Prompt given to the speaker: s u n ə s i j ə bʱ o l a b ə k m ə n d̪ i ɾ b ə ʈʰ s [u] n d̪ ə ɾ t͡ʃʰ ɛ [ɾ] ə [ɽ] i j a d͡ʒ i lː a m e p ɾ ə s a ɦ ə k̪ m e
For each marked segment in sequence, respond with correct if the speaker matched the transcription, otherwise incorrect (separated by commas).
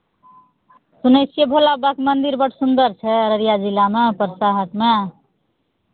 correct, correct, incorrect